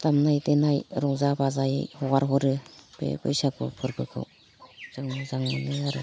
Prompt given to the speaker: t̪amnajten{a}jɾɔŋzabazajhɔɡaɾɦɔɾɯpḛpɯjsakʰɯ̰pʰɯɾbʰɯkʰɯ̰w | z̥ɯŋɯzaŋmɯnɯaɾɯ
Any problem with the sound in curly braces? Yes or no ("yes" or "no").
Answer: no